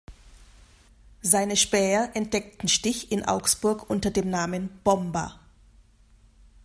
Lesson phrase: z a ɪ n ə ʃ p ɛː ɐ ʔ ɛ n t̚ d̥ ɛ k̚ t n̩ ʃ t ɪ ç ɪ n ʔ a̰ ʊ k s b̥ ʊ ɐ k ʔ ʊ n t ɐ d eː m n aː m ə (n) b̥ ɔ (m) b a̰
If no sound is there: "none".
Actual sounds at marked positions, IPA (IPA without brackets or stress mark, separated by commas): n, m